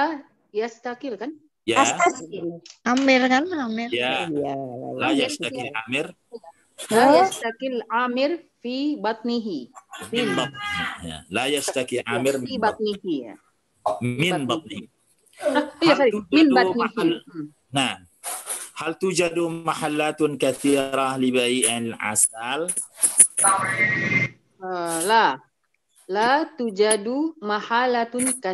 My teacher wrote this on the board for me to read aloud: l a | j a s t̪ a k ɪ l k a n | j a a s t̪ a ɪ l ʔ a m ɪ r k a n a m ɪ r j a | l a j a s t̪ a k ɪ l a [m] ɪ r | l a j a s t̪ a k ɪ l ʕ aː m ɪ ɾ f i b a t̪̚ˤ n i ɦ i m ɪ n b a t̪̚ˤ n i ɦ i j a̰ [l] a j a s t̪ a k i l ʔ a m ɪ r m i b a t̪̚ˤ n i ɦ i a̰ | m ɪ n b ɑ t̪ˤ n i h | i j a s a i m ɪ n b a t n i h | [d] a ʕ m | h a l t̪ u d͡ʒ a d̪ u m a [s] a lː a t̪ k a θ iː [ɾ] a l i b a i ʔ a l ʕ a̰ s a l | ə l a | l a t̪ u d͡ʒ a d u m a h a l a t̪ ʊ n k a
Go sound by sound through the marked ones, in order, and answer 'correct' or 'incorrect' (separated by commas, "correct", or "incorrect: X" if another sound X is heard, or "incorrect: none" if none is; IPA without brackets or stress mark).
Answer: correct, correct, incorrect: n, incorrect: ħ, correct